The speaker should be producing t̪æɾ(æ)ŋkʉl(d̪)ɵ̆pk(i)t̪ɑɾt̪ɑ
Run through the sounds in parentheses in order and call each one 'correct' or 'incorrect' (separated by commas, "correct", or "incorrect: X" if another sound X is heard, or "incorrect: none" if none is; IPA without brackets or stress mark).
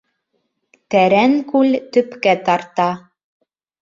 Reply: correct, incorrect: t̪, incorrect: æ